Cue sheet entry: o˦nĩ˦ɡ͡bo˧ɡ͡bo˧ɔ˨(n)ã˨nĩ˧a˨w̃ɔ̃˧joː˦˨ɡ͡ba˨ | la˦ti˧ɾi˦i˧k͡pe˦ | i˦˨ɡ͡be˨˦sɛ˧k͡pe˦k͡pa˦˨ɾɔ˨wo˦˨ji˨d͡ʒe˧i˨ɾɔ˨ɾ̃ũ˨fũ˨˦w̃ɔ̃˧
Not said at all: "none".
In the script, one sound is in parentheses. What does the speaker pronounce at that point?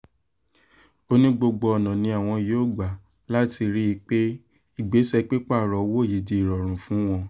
n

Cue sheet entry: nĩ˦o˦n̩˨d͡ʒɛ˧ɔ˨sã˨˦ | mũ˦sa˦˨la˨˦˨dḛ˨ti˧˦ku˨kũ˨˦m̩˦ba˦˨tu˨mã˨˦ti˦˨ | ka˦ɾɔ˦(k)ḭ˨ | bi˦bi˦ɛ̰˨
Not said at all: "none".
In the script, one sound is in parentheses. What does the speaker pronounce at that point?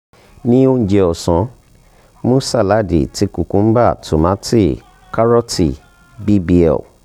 t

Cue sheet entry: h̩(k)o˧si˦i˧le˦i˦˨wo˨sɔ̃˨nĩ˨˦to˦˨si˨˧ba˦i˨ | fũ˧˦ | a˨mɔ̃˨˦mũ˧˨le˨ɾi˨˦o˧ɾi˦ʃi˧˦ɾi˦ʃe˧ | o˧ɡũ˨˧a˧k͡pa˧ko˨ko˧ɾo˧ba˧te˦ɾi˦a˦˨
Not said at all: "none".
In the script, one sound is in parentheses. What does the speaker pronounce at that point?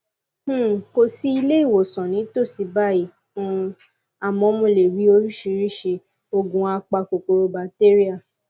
k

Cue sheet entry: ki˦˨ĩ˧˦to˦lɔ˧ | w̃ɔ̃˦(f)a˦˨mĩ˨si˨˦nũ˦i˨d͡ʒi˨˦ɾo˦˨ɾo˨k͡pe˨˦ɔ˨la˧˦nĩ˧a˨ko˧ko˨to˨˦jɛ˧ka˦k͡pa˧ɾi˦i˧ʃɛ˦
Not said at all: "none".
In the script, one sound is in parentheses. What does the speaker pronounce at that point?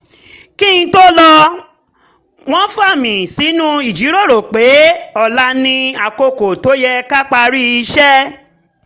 f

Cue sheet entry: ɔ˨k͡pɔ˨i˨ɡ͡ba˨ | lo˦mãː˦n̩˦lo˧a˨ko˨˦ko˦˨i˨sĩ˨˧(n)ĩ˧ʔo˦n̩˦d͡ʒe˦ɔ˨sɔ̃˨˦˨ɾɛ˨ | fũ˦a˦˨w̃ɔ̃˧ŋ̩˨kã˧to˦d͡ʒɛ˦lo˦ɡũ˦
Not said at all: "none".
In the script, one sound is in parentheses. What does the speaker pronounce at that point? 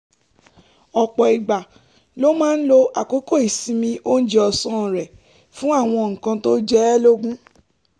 m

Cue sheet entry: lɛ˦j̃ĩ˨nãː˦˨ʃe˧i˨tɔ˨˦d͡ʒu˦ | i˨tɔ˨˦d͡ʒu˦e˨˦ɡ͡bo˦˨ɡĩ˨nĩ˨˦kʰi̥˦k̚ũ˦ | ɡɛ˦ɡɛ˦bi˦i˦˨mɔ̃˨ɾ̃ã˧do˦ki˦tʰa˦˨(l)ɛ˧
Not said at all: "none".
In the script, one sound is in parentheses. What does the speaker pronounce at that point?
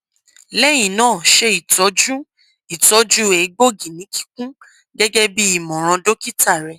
ɾ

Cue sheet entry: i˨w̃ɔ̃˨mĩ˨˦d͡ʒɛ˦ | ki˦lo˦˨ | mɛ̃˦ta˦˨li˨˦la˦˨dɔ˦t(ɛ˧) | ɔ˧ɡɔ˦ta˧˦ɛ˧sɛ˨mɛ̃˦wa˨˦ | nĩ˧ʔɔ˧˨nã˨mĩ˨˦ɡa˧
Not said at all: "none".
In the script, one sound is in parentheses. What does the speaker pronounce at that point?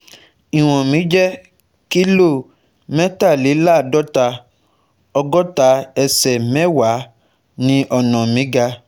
a˧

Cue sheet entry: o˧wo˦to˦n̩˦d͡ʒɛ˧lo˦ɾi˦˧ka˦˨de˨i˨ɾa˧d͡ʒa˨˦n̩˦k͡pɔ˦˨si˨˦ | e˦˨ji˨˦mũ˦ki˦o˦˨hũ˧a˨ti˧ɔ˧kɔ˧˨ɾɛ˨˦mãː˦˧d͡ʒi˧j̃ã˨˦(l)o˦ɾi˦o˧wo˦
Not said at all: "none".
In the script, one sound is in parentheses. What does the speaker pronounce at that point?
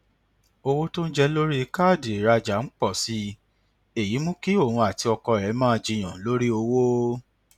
l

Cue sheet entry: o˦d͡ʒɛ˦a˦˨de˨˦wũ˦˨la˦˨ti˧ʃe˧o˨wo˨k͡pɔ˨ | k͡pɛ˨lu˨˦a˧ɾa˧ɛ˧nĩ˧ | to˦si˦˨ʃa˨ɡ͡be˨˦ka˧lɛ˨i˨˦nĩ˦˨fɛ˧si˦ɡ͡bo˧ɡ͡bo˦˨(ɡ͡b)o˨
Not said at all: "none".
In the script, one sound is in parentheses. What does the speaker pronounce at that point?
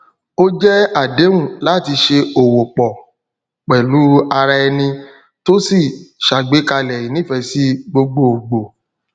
ɡ͡b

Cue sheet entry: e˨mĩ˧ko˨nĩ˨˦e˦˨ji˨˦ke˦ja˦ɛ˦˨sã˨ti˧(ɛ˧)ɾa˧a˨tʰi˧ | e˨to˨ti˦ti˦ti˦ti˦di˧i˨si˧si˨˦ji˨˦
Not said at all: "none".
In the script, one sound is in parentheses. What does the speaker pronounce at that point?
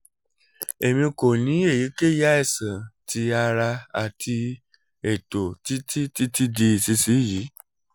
a˧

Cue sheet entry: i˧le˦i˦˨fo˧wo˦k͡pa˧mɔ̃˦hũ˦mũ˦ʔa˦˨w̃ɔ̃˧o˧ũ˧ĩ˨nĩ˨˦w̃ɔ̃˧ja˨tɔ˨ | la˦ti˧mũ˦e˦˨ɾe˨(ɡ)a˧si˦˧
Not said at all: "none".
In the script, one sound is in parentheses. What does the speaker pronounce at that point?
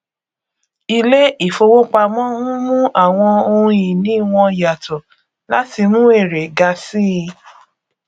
ɡ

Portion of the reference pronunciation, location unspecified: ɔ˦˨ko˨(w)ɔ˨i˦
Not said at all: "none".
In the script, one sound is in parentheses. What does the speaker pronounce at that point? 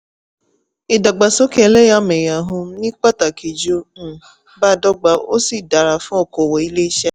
w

